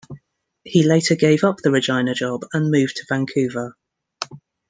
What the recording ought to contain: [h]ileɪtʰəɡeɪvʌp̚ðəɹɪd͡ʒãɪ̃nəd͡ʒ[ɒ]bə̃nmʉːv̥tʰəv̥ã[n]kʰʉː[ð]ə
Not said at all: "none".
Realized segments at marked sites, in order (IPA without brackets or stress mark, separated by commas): h, ɒ, ŋ, v